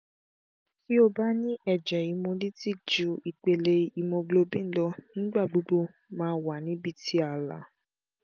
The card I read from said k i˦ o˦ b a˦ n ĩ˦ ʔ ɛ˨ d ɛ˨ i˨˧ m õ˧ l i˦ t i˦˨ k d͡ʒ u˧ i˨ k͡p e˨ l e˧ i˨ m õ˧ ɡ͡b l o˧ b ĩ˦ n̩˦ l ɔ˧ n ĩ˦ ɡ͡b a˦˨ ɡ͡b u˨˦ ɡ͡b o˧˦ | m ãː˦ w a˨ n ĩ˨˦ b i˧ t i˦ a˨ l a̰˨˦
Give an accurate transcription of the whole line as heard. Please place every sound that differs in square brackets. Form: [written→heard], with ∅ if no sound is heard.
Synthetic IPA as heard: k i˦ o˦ b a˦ n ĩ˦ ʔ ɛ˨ [d→d͡ʒ] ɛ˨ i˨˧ m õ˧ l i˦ t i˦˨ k d͡ʒ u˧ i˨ k͡p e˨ l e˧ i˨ m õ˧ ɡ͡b l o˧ b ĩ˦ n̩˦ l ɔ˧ n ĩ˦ ɡ͡b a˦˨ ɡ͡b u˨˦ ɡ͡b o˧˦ | m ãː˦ w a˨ n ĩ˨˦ b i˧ t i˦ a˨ l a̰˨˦